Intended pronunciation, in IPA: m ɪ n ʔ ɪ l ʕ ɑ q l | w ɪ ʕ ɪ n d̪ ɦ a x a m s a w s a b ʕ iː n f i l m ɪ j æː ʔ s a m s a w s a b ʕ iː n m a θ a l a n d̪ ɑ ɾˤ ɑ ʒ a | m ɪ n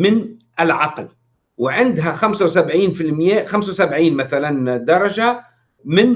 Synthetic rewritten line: m ɪ n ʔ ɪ l ʕ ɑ q l | w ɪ ʕ ɪ n d̪ ɦ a x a m s a w s a b ʕ iː n f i l m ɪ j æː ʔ x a m s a w s a b ʕ iː n m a θ a l a n d̪ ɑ ɾˤ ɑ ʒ a | m ɪ n

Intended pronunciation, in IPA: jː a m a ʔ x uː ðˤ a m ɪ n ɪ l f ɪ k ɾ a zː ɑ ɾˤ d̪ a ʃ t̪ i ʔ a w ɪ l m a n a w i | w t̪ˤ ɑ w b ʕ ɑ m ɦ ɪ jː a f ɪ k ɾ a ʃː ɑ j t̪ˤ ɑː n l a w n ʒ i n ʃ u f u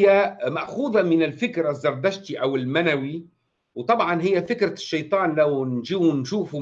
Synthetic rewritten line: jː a m a ʔ x uː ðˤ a m ɪ n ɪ l f ɪ k ɾ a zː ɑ ɾˤ d̪ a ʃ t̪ i ʔ a w ɪ l m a n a w i | w t̪ˤ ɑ b ʕ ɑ n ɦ ɪ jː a f ɪ k ɾ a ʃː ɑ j t̪ˤ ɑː n l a w n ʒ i n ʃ uː f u

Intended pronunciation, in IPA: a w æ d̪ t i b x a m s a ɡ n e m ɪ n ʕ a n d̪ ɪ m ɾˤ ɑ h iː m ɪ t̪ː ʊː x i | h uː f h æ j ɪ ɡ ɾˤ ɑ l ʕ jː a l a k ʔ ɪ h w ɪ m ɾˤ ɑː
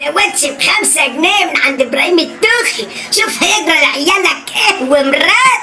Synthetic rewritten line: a w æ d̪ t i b x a m s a ɡ n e m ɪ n ʕ a n d̪ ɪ b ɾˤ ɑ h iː m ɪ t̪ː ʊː x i | ʃ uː f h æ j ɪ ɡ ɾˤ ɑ l ʕ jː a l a k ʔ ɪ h w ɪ m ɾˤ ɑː

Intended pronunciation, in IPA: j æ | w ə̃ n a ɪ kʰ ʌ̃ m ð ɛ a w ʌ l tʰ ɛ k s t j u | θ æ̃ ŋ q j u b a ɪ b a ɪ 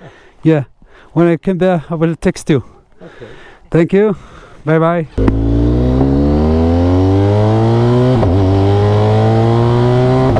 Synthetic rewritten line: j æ | w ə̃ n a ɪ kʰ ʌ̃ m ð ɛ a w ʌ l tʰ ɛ k s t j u | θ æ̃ ŋ k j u b a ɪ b a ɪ

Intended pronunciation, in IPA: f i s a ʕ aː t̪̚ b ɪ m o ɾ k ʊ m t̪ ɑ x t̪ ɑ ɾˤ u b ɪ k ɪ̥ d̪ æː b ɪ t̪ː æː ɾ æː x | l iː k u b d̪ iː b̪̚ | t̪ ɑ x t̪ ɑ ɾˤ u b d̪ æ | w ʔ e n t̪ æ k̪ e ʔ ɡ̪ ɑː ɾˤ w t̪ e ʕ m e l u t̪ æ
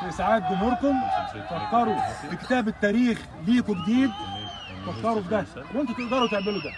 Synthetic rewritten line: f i s a ʕ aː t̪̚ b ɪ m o ɾ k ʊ m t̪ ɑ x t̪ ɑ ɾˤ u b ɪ k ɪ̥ t̪ æː b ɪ t̪ː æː ɾ iː x | l iː k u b d̪ iː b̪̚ | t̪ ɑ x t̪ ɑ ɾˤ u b d̪ æ | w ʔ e n t̪ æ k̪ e ʔ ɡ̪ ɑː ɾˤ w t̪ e ʕ m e l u d̪ æ

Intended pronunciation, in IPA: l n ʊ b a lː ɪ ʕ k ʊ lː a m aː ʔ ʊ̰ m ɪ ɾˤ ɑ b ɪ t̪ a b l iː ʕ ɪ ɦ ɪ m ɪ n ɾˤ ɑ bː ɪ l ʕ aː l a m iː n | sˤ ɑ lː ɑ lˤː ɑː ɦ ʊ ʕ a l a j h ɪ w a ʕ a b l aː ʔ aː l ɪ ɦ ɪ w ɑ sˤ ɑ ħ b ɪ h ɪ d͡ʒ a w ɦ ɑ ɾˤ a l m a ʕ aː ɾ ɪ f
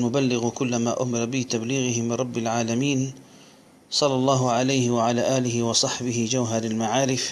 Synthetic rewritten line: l m ʊ b a lː ɪ ɣ k ʊ lː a m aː ʔ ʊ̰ m ɪ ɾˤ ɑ b ɪ t̪ a b l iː ɣ ɪ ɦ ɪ m ɪ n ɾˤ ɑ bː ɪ l ʕ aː l a m iː n | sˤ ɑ lː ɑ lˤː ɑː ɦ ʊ ʕ a l a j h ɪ w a ʕ a l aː ʔ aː l ɪ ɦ ɪ w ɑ sˤ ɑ ħ b ɪ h ɪ d͡ʒ a w ɦ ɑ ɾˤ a l m a ʕ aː ɾ ɪ f

